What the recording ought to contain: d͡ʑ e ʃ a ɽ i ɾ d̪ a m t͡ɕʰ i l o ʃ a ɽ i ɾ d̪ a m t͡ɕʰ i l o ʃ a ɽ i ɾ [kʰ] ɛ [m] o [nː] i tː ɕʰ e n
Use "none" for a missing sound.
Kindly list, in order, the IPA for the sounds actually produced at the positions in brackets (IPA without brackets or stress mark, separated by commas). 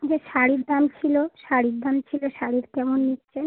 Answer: k, m, nː